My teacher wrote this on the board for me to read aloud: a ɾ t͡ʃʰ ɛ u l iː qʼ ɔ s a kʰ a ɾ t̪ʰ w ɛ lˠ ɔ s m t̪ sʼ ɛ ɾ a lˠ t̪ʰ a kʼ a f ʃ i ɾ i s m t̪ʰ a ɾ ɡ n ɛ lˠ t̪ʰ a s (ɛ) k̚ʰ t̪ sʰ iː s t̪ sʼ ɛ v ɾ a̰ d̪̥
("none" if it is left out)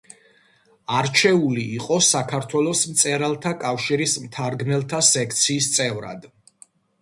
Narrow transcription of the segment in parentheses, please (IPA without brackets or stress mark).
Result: ɛ